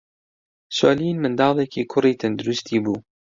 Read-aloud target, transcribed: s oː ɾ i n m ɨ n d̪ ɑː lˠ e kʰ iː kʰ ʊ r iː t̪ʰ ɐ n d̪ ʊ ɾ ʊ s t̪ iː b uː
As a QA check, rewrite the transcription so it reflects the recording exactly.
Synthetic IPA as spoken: s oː l i n m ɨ n d̪ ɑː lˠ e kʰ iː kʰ ʊ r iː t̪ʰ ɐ n d̪ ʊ ɾ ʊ s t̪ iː b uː